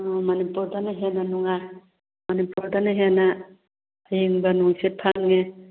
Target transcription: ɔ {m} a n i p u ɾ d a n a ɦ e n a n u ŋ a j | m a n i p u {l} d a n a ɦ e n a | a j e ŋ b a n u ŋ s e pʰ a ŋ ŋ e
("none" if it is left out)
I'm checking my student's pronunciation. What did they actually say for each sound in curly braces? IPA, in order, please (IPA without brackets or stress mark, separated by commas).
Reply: m, ɾ